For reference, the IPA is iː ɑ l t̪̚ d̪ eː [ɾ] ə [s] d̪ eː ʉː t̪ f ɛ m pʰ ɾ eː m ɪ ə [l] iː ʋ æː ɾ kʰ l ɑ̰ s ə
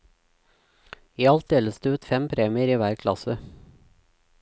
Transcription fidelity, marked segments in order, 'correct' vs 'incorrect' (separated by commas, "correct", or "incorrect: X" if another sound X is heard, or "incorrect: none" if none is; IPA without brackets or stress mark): incorrect: l, correct, incorrect: ɾ